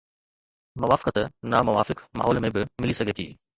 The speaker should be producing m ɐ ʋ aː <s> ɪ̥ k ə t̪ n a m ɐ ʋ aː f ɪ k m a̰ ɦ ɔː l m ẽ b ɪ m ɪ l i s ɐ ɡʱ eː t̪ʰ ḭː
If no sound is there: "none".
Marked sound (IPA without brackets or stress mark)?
f